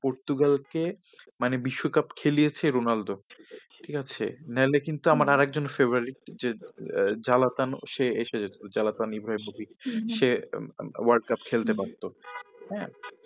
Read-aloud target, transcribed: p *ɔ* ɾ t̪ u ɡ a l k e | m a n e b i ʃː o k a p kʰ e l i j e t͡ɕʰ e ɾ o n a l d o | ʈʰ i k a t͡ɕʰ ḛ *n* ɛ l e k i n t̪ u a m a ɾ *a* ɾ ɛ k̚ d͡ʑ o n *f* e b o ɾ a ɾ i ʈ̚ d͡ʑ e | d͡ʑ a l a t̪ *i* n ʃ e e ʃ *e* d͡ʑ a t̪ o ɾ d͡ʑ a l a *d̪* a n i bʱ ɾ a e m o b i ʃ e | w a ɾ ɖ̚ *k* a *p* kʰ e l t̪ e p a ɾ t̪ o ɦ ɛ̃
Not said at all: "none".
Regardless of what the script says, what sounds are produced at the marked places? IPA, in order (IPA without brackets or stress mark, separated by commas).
o, n, a, f, a, e, t̪, k, p